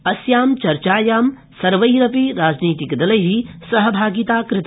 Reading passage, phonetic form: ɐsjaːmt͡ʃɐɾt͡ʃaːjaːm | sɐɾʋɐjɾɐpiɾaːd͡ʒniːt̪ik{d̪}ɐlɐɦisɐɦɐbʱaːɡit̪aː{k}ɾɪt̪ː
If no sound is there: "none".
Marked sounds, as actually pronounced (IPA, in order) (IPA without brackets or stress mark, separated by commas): d̪, k